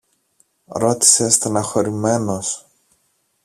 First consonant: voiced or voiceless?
voiced